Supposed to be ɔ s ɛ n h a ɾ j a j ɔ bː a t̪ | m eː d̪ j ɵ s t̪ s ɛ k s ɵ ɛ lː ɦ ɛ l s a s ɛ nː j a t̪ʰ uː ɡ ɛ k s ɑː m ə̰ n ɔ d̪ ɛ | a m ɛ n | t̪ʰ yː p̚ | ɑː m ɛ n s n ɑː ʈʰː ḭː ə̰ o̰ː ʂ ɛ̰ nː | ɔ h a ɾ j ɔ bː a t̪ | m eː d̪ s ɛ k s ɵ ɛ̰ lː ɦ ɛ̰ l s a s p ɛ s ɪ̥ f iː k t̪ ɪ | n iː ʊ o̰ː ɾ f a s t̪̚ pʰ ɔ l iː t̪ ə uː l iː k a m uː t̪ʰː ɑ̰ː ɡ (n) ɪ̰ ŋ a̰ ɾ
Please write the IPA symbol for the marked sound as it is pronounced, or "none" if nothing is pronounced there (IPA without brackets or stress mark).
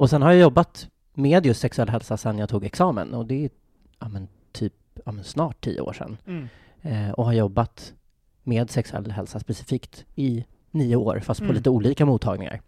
n